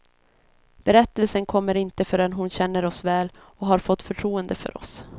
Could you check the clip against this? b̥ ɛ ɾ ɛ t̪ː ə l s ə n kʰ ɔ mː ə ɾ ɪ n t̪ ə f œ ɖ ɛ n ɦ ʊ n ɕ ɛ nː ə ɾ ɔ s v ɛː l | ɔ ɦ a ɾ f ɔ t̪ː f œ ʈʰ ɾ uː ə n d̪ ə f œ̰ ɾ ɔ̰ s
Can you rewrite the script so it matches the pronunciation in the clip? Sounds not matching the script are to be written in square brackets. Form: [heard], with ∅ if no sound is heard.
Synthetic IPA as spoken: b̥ ɛ ɾ ɛ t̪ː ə l s ə n kʰ ɔ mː ə ɾ ɪ n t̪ ə f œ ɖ ɛ n ɦ ʊ n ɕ ɛ nː ə ɾ ɔ s v ɛː l | ɔ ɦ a ɾ f ɔ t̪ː f œ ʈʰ ɾ uː ə n d̪ ə f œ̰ ɾ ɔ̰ s